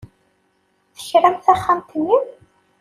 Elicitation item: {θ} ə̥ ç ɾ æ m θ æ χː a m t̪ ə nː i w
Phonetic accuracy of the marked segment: correct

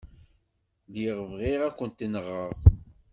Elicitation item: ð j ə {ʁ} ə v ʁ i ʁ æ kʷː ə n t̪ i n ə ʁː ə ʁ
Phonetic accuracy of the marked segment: correct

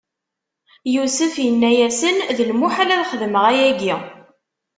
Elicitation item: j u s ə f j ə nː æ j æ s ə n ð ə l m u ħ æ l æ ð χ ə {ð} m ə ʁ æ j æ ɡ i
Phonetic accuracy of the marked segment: correct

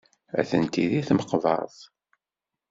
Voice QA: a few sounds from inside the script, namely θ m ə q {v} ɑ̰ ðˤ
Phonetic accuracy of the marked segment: correct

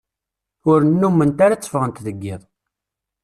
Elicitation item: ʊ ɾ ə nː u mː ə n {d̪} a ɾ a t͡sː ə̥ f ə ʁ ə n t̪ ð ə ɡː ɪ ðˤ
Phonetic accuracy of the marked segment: incorrect: t̪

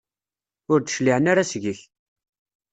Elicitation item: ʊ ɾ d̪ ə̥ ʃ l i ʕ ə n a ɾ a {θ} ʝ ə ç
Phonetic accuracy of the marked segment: incorrect: s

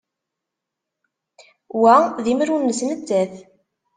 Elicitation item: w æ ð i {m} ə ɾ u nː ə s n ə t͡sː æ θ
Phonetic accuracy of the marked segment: correct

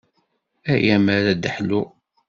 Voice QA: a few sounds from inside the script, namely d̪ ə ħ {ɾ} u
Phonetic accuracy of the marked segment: incorrect: l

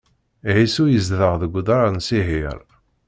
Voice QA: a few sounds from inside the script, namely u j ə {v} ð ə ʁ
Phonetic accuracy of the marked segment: incorrect: z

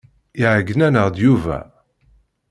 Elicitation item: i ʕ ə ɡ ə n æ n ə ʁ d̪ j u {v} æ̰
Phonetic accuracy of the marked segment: correct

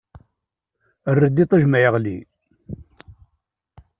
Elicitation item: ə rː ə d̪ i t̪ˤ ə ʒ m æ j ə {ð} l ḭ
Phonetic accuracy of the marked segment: incorrect: ʁ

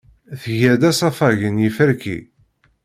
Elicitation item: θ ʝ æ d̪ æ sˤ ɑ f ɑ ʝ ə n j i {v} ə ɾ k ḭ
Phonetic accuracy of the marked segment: incorrect: f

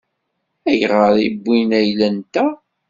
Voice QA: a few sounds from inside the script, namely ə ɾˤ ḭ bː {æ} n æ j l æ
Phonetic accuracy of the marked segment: incorrect: i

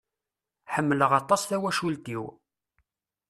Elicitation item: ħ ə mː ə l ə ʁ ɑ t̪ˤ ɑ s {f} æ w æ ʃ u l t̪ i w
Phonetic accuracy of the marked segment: incorrect: θ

